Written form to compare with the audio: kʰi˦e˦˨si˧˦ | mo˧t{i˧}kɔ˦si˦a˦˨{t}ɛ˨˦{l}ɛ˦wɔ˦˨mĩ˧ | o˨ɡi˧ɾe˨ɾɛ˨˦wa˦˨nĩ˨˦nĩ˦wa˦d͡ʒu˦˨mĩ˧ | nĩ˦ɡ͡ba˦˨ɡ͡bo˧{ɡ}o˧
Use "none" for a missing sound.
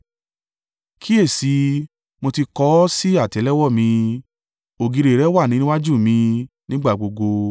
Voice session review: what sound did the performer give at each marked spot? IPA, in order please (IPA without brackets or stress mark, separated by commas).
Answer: i˧, t, l, ɡ